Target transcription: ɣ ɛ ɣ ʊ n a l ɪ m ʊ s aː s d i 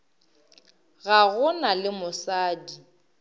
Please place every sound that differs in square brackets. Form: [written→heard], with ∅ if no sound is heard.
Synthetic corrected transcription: ɣ [ɛ→a] ɣ ʊ n a l ɪ m ʊ s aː [s→∅] d i

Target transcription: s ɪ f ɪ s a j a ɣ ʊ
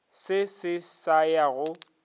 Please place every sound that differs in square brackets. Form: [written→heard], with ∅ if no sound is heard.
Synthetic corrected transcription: s ɪ [f→s] ɪ s a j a ɣ ʊ

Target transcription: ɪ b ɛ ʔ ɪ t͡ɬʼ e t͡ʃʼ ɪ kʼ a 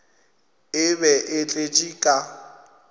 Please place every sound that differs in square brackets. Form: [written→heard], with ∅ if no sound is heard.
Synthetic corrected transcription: ɪ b ɛ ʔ ɪ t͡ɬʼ e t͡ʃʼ [ɪ→i] kʼ a

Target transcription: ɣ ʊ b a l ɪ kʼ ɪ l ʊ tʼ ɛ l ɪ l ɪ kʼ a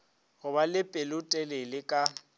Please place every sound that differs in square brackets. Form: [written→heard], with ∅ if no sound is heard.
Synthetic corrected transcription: ɣ ʊ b a l ɪ [kʼ→pʼ] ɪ l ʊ tʼ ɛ l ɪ l ɪ kʼ a

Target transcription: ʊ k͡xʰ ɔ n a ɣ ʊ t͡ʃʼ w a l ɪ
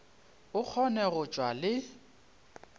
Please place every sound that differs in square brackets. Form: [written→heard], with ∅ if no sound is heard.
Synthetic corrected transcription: ʊ k͡xʰ ɔ n [a→ɛ] ɣ ʊ t͡ʃʼ w a l ɪ

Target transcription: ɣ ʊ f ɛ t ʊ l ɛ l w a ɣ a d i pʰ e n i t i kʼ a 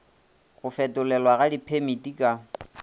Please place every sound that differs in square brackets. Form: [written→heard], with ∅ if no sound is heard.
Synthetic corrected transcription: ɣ ʊ f ɛ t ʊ l ɛ l w a ɣ a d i pʰ e [n→m] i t i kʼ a

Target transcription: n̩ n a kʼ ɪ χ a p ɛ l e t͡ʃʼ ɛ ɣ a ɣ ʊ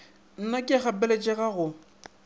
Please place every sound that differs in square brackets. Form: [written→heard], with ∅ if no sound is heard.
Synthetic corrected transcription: n̩ n a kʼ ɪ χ a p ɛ l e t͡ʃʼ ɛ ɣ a ɣ ʊ

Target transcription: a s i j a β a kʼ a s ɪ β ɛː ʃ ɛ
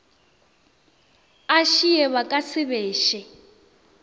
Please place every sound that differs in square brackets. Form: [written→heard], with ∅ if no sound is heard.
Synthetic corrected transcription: a [s→ʃ] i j [a→ɛ] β a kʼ a s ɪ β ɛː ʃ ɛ

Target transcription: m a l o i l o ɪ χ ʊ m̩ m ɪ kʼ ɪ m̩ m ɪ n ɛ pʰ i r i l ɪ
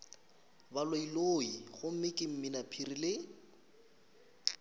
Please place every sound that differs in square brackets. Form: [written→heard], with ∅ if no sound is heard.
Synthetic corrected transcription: [m→b] a l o i l o [ɪ→i] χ ʊ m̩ m ɪ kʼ ɪ m̩ m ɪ n [ɛ→a] pʰ i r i l ɪ

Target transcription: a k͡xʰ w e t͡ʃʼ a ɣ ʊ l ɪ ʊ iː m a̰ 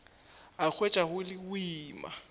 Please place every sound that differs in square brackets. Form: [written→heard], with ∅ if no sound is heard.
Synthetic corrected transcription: a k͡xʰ w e t͡ʃʼ a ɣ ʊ l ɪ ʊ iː m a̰

